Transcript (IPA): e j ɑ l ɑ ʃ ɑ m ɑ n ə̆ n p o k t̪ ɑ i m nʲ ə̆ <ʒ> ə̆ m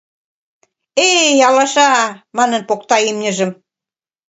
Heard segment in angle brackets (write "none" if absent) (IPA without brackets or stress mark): ʒ